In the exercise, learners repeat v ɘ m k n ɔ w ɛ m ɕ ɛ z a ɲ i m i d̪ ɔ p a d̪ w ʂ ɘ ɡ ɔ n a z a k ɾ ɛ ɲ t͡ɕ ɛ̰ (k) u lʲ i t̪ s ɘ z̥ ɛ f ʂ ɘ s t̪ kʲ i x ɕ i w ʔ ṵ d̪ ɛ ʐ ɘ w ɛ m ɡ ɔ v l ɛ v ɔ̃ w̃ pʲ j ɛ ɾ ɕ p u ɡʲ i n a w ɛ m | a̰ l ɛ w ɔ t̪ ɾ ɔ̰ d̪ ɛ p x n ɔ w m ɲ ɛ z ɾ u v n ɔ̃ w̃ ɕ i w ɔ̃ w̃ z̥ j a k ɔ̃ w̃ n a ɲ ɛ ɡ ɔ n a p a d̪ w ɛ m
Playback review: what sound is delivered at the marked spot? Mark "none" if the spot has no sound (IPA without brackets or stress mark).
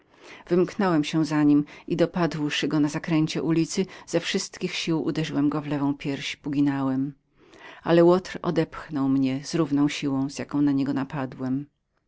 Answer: ʔ